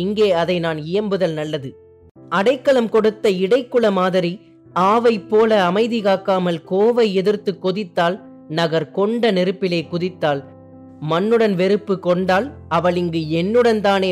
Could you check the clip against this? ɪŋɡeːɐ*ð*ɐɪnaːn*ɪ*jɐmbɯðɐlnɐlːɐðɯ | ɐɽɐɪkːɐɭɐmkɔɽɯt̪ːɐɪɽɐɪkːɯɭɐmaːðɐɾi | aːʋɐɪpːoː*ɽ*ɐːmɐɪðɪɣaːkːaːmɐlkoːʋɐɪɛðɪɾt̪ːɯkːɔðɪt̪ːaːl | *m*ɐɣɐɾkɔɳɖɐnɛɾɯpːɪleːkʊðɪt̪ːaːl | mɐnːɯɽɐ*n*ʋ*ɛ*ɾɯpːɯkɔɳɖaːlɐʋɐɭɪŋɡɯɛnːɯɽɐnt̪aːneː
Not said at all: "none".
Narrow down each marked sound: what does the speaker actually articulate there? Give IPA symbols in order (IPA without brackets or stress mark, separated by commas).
ð, ɪ, l, n, n, ɛ